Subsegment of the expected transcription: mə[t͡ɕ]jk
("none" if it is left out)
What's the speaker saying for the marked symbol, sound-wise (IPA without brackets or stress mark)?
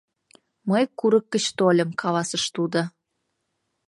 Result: none